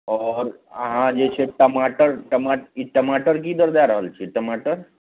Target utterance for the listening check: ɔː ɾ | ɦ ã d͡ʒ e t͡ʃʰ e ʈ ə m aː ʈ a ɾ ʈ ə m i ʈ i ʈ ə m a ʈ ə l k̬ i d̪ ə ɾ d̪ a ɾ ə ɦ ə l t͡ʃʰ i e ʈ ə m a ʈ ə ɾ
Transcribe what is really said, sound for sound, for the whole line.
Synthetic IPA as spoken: ɔː ɾ | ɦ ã d͡ʒ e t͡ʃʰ e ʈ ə m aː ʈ ə ɾ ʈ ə m a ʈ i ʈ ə m a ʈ ə ɾ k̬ i d̪ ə ɾ d̪ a ɾ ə ɦ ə l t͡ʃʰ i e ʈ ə m a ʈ ə ɾ